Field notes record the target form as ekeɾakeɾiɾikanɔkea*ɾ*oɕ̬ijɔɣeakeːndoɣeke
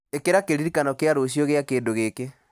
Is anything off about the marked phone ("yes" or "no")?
no